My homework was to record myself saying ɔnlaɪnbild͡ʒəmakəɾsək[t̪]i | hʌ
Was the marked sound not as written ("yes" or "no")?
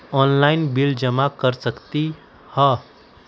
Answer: no